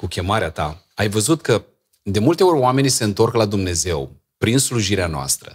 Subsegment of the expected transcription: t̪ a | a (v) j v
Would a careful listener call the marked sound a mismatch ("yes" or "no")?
yes